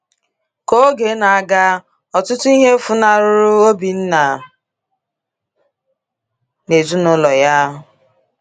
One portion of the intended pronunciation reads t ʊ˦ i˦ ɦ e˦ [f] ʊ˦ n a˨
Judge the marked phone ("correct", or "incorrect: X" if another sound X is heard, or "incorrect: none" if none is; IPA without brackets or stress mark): correct